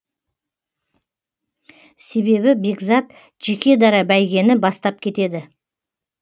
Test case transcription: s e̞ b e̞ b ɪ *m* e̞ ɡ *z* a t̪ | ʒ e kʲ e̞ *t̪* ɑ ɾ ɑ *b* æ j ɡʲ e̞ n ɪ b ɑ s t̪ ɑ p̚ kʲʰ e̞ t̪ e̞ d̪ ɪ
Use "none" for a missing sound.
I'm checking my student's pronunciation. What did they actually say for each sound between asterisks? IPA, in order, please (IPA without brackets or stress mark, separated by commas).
b, z, d̪, b